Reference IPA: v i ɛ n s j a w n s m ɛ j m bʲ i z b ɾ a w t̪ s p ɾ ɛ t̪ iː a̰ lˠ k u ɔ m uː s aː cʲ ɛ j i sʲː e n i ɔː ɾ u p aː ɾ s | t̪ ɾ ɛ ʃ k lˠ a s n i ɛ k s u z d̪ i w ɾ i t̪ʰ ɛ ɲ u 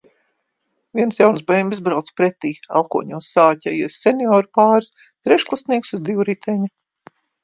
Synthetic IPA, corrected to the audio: v i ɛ n s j a w n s b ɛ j m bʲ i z b ɾ a w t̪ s p ɾ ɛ t̪ iː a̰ lˠ k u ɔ ɲ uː s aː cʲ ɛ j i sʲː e n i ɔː ɾ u p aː ɾ s | t̪ ɾ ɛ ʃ k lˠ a s n i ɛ k s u z d̪ i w ɾ i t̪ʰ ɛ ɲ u